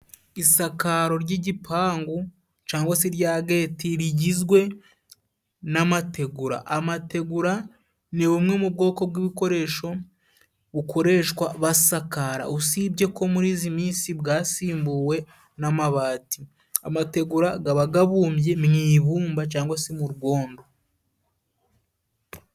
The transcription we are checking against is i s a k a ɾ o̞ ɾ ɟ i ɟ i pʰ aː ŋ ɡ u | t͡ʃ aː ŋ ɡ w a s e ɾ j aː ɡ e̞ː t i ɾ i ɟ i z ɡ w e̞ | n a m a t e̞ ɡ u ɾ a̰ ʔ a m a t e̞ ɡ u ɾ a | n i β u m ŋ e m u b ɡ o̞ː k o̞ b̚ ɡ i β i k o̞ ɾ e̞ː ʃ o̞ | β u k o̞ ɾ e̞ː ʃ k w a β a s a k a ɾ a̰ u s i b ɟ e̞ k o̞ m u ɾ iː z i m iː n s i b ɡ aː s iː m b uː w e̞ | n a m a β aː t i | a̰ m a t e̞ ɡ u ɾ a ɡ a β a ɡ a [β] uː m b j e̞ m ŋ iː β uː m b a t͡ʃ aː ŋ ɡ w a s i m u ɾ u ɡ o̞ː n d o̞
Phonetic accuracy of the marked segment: correct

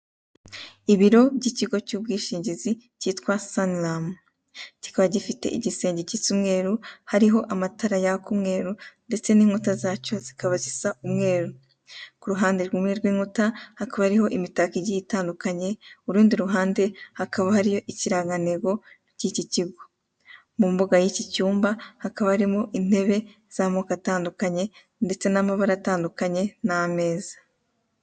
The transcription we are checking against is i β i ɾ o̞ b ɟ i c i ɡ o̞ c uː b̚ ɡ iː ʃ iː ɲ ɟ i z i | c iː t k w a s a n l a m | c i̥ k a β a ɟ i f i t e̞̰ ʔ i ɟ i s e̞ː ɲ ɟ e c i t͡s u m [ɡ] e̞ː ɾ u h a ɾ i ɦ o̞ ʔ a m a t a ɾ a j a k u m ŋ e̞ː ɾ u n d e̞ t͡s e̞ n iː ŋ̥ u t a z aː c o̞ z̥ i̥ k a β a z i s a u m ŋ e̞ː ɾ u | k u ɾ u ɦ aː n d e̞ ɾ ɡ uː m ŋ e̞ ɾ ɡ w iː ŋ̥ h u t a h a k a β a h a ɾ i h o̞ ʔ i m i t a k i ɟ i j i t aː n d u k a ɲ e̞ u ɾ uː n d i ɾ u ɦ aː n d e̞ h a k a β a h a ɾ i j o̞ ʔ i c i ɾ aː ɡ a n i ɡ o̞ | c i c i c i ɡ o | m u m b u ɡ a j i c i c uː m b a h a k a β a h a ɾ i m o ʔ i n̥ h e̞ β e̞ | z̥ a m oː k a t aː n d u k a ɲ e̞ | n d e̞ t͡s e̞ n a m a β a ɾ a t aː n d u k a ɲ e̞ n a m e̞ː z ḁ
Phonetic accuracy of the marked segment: incorrect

